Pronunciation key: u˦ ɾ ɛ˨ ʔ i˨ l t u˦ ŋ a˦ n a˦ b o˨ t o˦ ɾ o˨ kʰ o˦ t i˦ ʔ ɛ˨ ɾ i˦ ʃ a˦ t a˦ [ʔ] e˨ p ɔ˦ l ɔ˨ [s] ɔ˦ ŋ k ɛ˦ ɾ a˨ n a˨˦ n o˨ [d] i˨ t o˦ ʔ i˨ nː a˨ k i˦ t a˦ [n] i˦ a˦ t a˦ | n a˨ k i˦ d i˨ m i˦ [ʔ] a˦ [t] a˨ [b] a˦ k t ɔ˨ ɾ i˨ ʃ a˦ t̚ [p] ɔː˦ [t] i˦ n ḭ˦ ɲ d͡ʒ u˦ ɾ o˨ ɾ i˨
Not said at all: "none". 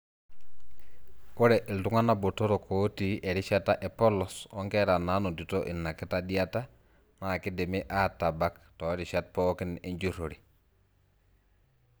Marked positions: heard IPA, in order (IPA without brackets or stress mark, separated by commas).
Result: ʔ, s, d, d, ʔ, t, b, p, k